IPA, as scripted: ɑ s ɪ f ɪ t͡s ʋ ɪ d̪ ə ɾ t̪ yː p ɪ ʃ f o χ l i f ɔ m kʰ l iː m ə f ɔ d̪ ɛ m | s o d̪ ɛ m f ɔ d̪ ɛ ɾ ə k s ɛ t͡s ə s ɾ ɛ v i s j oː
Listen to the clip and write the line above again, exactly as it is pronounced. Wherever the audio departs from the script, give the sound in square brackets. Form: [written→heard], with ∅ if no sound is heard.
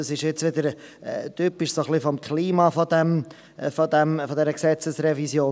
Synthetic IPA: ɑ s ɪ [f→ʃ] ɪ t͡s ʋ ɪ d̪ ə ɾ t̪ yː p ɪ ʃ [f→s] o χ l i f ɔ m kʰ l iː m [ə→ɑ] f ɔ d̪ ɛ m | [s→f] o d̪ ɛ m f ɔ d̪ ɛ ɾ ə k s ɛ t͡s ə s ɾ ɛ v i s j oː